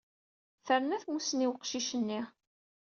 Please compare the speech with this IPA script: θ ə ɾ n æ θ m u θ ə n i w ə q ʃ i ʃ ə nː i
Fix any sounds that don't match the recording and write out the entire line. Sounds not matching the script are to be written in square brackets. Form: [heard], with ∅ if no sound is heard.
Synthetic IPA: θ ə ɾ n æ θ m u [s] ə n i w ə q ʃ i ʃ ə nː i